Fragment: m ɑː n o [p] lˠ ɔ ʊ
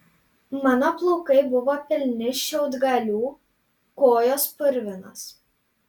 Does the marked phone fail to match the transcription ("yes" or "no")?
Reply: no